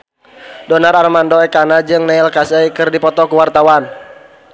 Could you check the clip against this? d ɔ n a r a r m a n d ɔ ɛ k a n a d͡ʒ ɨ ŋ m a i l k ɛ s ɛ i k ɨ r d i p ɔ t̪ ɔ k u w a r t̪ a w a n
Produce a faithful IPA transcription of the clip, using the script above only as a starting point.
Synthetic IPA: d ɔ n a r a r m a n d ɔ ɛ k a n a d͡ʒ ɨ ŋ n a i l k a s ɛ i k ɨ r d i p ɔ t̪ ɔ k u w a r t̪ a w a n